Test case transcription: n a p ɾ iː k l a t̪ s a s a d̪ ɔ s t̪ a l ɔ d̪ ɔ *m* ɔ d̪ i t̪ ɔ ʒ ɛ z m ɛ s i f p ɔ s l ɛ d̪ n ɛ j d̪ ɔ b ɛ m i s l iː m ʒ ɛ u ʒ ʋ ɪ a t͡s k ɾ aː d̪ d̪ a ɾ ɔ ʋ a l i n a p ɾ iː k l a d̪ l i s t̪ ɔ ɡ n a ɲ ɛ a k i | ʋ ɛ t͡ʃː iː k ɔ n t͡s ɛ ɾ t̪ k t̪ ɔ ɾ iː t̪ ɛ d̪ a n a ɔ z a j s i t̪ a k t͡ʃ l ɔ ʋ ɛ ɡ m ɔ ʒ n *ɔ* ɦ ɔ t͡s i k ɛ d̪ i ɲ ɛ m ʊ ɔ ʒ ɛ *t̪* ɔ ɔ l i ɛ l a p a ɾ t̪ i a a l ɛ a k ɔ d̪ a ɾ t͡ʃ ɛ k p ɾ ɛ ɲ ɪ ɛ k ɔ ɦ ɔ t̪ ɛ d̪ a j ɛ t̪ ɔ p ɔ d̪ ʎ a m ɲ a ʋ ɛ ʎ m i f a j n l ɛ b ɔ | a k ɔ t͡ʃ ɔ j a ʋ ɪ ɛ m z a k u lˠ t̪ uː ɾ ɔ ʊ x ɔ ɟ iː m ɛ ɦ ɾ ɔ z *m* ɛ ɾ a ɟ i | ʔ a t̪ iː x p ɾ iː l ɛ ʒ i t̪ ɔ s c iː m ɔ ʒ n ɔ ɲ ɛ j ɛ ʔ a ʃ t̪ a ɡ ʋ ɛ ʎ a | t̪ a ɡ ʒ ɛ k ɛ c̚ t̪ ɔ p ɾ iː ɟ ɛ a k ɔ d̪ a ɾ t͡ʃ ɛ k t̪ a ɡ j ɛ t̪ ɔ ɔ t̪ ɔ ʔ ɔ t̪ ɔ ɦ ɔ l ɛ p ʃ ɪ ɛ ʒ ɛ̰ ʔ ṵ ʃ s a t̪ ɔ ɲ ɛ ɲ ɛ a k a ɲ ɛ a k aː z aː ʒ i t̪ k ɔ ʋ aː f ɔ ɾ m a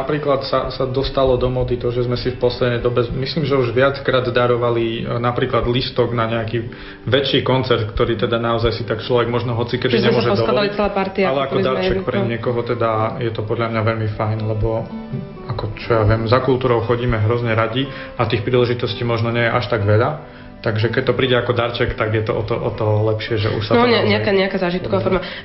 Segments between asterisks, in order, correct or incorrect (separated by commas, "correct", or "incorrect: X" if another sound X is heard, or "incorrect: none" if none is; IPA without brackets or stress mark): correct, correct, incorrect: d̪, incorrect: ɲ